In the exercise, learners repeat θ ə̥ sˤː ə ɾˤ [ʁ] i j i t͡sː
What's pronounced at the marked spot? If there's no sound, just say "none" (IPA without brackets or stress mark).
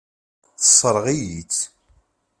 ʁ